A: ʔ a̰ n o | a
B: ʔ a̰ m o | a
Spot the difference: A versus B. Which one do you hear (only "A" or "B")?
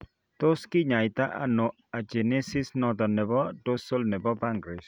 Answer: A